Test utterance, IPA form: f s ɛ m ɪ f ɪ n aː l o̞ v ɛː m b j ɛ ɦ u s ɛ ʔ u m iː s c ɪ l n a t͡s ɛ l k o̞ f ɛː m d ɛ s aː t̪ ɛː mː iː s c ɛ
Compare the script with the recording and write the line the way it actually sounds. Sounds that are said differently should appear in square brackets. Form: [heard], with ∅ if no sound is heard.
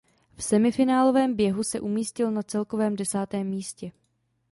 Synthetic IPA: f s ɛ m ɪ f ɪ n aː l o̞ v ɛː m b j ɛ ɦ u s ɛ ʔ u m iː s c ɪ l n a t͡s ɛ l k o̞ [v] ɛː m d ɛ s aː t̪ ɛː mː iː s c ɛ